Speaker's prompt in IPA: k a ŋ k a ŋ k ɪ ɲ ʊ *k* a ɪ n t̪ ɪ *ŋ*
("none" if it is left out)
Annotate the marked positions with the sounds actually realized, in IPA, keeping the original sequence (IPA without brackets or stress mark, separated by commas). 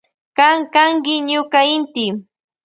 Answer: k, none